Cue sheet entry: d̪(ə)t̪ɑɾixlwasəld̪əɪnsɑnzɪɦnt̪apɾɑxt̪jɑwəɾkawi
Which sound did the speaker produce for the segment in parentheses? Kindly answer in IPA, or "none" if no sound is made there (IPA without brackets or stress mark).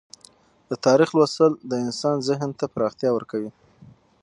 ə